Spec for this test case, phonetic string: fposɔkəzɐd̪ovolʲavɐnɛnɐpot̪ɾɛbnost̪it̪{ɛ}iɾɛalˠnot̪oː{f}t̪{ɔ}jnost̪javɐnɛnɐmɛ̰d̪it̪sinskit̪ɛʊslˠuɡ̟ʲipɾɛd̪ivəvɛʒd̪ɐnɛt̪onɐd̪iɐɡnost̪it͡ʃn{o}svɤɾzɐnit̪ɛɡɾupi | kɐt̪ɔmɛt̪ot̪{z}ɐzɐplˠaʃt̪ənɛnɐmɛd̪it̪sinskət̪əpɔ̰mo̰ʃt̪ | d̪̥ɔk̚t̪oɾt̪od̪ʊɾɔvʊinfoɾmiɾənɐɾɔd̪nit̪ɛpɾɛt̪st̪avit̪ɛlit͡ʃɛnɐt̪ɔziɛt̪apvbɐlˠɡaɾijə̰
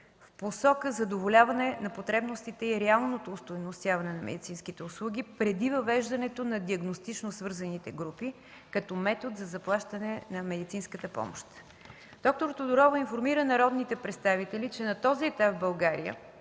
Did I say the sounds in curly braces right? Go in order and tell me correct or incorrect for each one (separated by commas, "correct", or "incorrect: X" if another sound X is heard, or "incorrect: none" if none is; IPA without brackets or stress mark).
correct, incorrect: s, incorrect: o, correct, correct